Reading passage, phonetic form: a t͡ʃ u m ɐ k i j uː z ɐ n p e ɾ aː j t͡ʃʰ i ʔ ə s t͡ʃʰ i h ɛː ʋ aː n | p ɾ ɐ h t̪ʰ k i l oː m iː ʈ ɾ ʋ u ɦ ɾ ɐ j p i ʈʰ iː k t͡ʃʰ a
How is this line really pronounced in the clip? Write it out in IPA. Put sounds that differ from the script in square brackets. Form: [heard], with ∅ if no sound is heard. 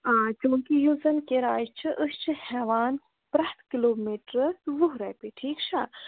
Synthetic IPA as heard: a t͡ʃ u m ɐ k i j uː z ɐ n [k] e ɾ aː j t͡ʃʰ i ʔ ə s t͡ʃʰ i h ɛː ʋ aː n | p ɾ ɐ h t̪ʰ k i l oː m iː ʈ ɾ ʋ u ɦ ɾ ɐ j p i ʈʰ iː k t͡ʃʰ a